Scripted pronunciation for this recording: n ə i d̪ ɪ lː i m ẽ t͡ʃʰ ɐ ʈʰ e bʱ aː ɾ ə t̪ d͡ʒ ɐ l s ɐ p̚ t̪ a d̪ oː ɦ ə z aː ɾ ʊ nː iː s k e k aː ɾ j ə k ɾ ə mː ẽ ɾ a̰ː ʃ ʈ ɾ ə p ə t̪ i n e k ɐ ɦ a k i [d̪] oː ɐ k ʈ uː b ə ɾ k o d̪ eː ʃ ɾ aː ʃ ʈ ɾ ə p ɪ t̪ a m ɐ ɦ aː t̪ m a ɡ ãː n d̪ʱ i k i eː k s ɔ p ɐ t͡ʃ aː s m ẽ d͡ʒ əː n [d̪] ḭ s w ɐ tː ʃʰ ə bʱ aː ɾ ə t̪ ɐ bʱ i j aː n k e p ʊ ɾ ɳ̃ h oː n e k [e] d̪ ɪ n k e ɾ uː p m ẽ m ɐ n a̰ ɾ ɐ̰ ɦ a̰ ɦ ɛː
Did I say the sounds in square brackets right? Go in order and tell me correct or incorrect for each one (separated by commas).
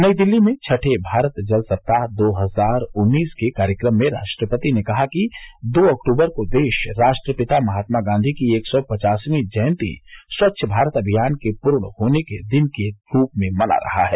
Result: correct, incorrect, correct